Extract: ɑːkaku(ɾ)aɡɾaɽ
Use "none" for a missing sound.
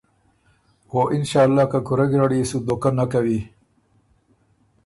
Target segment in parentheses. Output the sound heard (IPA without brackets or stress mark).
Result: ɾ